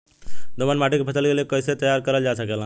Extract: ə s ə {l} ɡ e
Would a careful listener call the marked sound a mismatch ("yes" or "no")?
no